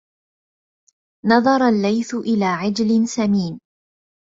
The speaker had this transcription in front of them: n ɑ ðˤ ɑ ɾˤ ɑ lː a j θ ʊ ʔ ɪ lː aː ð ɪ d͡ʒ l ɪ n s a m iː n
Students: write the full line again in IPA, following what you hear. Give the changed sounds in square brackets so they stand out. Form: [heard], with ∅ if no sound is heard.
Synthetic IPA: n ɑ ðˤ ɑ ɾˤ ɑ lː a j θ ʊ ʔ ɪ [l] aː [ʕ] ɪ d͡ʒ l ɪ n s a m iː n